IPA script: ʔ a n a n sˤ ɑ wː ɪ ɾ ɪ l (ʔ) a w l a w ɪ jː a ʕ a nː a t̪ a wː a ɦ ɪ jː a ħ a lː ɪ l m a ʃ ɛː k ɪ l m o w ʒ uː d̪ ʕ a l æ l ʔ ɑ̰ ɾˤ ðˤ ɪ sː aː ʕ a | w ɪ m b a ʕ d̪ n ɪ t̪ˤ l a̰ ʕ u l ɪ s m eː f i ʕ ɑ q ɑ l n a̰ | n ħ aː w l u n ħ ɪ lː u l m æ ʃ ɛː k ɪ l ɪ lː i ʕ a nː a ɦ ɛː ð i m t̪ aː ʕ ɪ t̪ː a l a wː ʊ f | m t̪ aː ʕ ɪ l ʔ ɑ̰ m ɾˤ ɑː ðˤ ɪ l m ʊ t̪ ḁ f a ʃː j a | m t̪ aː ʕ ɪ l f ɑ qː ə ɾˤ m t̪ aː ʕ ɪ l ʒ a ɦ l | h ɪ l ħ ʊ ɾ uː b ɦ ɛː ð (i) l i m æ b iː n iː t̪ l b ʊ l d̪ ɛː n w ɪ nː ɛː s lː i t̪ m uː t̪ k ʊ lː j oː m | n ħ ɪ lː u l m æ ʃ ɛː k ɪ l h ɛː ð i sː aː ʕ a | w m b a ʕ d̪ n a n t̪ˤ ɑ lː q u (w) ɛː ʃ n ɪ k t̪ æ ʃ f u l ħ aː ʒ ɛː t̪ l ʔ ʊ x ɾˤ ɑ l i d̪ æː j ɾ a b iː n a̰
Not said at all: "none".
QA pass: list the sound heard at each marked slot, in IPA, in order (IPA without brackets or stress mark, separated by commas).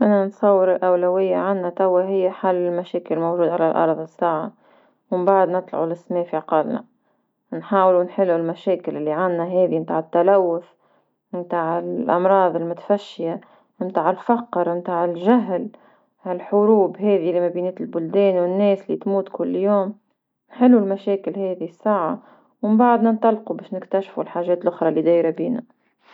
ʔ, i, b